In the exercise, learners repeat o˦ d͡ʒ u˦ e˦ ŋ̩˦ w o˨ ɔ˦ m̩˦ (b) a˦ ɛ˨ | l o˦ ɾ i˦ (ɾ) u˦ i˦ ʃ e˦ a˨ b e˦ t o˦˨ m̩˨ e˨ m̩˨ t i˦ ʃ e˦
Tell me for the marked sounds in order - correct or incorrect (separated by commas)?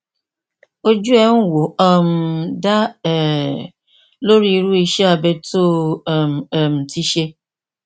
incorrect, correct